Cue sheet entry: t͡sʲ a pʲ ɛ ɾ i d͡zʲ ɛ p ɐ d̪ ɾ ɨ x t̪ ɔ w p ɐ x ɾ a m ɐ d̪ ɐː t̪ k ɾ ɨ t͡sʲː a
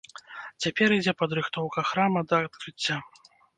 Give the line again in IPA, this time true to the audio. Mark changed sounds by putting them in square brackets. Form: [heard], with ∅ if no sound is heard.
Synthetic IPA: t͡sʲ a pʲ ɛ ɾ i d͡zʲ ɛ p ɐ d̪ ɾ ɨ x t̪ ɔ w [k] ɐ x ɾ a m ɐ d̪ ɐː t̪ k ɾ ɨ t͡sʲː a